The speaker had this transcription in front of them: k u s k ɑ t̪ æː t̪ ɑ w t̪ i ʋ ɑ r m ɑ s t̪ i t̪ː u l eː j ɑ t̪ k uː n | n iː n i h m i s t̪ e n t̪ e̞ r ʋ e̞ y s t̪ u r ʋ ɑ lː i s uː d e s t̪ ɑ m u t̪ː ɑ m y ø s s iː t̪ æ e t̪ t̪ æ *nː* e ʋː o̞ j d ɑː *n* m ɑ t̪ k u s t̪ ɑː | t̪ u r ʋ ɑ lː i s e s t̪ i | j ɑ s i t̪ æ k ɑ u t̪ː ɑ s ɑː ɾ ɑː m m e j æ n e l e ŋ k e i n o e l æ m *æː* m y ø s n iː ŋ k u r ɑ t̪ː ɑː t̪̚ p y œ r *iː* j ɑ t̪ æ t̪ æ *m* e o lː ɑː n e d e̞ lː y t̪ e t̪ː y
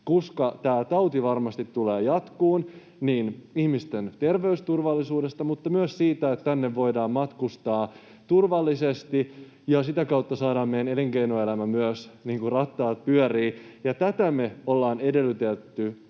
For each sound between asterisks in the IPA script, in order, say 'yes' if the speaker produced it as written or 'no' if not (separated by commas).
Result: yes, no, no, yes, yes